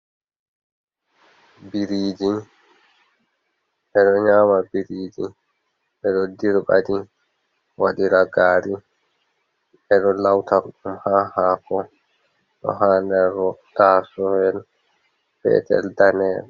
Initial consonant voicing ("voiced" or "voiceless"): voiced